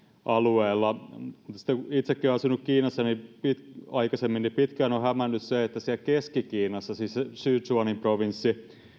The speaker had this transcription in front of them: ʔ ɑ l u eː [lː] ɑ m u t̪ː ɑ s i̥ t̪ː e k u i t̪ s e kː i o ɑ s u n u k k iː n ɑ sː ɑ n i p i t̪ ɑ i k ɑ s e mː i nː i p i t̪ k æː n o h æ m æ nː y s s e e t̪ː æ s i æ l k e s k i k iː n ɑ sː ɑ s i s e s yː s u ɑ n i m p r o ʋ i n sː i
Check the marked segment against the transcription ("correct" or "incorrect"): correct